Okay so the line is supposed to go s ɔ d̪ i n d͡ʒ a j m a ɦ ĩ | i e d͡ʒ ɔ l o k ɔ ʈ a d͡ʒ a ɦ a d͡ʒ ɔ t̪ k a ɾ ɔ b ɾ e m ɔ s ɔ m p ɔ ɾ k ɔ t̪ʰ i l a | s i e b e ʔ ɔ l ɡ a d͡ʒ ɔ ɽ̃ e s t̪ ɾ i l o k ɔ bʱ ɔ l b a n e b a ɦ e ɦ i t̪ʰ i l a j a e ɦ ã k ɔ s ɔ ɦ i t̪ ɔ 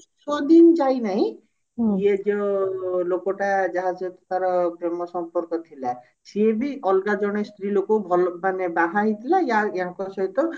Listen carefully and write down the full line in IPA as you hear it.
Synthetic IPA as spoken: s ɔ d̪ i n d͡ʒ a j n a ɦ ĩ | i e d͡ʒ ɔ l o k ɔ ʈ a d͡ʒ a ɦ a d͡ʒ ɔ t̪ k a ɾ ɔ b ɾ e m ɔ s ɔ m p ɔ ɾ k ɔ t̪ʰ i l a | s i e b i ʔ ɔ l ɡ a d͡ʒ ɔ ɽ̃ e s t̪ ɾ i l o k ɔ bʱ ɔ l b a n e b a ɦ a ɦ i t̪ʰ i l a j a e ɦ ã k ɔ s ɔ ɦ i t̪ ɔ